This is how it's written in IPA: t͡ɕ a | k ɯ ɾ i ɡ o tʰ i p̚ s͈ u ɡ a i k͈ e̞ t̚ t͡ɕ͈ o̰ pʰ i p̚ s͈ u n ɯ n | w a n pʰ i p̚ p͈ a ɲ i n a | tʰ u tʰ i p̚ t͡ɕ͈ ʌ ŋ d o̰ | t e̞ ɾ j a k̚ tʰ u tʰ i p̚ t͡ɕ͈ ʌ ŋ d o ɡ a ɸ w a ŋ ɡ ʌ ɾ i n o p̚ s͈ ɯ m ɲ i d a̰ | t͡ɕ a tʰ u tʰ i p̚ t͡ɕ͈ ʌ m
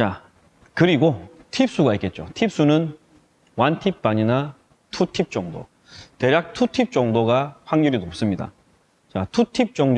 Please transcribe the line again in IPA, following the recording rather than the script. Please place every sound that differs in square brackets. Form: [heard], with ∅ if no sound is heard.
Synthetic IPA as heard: t͡ɕ a | k ɯ ɾ i ɡ o tʰ i p̚ s͈ u ɡ a i k͈ e̞ t̚ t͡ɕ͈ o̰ [tʰ] i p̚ s͈ u n ɯ n | w a n [tʰ] i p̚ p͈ a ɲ i n a | tʰ u tʰ i p̚ t͡ɕ͈ ʌ ŋ d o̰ | t e̞ ɾ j a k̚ tʰ u tʰ i p̚ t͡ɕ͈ ʌ ŋ d o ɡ a ɸ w a ŋ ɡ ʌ ɾ i n o p̚ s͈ ɯ m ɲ i d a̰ | t͡ɕ a tʰ u tʰ i p̚ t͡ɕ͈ ʌ [ŋ]